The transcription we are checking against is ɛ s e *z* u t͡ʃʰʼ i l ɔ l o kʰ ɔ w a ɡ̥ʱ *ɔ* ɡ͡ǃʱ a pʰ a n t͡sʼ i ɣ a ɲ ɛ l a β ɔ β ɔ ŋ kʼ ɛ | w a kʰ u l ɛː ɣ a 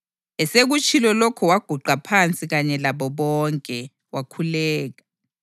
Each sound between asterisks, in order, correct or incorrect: incorrect: ɣ, incorrect: u

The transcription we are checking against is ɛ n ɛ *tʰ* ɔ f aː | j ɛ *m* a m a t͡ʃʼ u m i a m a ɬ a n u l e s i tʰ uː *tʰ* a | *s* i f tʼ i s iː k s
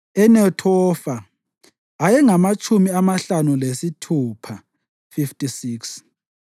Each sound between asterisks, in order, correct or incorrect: correct, incorrect: ŋ, incorrect: pʰ, incorrect: f

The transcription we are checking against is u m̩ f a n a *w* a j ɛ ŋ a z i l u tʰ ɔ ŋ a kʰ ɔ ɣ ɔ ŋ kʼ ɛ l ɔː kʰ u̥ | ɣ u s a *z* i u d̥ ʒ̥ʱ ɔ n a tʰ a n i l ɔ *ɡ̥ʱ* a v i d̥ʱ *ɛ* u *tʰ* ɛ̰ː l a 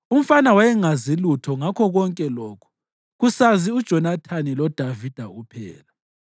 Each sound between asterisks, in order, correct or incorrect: correct, correct, incorrect: d̥ʱ, incorrect: a, incorrect: pʰ

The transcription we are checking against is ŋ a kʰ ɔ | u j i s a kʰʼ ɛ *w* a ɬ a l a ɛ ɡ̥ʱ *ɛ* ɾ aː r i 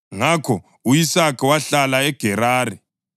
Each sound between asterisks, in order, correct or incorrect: correct, correct

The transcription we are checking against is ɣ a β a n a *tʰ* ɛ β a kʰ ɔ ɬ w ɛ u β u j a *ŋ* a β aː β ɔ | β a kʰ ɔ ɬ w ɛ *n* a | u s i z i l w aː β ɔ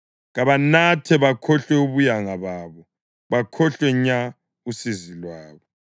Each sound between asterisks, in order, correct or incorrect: correct, correct, incorrect: ɲ

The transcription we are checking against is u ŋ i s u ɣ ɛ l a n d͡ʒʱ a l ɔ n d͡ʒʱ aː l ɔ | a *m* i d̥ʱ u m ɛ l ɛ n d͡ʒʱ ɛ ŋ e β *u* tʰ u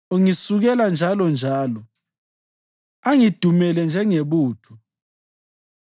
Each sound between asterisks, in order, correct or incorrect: incorrect: ŋ, incorrect: uː

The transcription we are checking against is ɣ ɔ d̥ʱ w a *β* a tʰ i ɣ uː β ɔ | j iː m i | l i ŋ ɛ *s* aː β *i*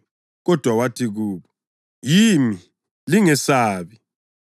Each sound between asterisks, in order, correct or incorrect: incorrect: w, correct, correct

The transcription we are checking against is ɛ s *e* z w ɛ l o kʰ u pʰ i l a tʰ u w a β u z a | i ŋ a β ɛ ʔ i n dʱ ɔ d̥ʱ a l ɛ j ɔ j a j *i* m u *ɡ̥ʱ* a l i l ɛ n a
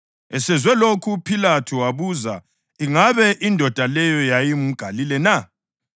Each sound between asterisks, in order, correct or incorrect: incorrect: ɛ, correct, correct

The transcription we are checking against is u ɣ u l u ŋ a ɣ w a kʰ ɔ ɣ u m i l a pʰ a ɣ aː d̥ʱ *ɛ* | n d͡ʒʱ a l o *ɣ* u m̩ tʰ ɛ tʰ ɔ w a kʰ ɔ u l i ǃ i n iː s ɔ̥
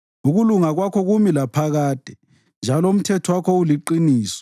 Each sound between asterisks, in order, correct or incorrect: correct, incorrect: none

